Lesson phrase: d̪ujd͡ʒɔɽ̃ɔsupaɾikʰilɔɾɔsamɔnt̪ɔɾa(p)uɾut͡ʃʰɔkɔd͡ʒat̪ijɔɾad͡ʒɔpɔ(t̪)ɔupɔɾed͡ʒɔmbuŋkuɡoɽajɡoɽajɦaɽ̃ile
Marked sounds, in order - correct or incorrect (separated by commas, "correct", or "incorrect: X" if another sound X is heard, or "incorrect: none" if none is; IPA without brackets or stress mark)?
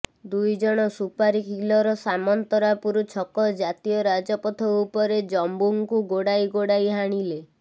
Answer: correct, incorrect: t̪ʰ